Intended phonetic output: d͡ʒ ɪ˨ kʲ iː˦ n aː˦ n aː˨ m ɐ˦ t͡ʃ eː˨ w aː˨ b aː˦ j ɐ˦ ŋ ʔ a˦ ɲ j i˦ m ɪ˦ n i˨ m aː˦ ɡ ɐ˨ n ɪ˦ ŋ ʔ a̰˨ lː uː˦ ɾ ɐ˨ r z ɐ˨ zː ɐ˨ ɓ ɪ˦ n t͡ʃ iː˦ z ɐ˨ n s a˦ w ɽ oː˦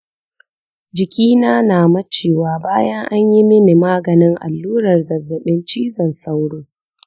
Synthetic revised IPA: d͡ʒ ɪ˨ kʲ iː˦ n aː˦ n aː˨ m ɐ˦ t͡ʃ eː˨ w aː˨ b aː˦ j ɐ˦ ŋ ʔ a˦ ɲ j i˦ m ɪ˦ n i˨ m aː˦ ɡ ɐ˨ n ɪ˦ ŋ ʔ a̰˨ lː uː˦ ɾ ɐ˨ r z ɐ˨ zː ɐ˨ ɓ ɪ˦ n t͡ʃ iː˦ z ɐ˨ n s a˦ w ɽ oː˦